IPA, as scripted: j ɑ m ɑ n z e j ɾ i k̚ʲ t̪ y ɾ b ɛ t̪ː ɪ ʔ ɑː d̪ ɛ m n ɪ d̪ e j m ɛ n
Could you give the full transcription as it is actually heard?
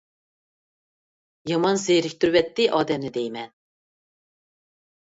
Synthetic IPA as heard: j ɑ m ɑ n z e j ɾ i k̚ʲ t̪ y ɾ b ɛ t̪ː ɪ ʔ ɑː d̪ ɛ m n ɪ d̪ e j m ɛ n